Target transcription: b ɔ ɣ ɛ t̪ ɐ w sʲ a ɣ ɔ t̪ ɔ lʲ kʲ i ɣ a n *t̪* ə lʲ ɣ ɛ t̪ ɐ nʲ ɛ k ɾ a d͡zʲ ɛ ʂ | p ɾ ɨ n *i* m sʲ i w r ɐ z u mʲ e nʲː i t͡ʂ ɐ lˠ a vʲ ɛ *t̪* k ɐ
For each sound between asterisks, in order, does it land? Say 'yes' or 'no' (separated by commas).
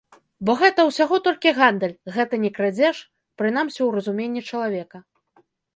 no, no, no